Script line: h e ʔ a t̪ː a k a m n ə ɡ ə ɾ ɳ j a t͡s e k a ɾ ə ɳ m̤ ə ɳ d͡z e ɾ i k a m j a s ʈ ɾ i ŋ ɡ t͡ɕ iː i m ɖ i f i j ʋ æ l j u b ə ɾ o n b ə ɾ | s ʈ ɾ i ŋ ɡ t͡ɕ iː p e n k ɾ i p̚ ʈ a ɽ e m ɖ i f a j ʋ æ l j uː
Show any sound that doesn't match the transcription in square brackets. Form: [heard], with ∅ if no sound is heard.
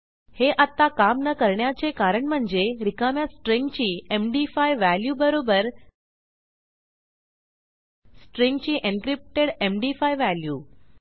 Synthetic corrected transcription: h e ʔ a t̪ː a k a m n ə [k] ə ɾ ɳ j a t͡s e k a ɾ ə ɳ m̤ ə ɳ d͡z e ɾ i k a m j a s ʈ ɾ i ŋ ɡ t͡ɕ iː [e] m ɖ i f [a] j ʋ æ l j u b ə ɾ o [∅] b ə ɾ | s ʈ ɾ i ŋ ɡ t͡ɕ iː [ʔ] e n k ɾ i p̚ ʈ [e] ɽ e m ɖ i f a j ʋ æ l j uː